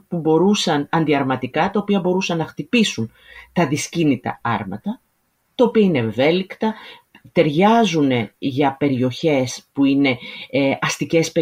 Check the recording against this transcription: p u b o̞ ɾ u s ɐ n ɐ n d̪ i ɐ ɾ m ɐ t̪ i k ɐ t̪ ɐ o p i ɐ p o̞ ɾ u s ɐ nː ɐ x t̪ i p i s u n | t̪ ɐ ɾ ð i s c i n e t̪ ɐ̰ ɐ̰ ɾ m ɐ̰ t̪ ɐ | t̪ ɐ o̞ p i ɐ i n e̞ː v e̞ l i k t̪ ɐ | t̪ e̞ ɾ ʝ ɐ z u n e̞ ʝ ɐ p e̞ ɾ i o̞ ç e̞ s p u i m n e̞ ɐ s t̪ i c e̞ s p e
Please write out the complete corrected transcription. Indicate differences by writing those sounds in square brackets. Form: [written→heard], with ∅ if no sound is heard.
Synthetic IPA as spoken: p u b o̞ ɾ u s ɐ n ɐ n d̪ i ɐ ɾ m ɐ t̪ i k ɐ t̪ ɐ o p i ɐ [p→b] o̞ ɾ u s ɐ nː ɐ x t̪ i p i s u n | t̪ ɐ [ɾ→∅] ð i s c i n [e→i] t̪ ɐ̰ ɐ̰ ɾ m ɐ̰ t̪ ɐ | t̪ ɐ o̞ p i ɐ i n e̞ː v e̞ l i k t̪ ɐ | t̪ e̞ ɾ ʝ ɐ z u n e̞ ʝ ɐ p e̞ ɾ i o̞ ç e̞ s p u i [m→∅] n e̞ ɐ s t̪ i c e̞ s p e